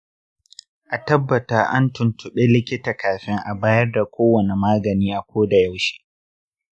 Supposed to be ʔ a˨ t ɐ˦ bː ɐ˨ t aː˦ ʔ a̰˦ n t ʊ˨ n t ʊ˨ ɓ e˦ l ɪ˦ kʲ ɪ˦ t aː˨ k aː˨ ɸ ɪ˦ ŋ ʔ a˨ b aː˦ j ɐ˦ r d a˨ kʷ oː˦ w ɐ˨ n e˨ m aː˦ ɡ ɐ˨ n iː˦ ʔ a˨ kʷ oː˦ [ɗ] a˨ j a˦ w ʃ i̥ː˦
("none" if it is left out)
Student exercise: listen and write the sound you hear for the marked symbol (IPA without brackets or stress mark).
d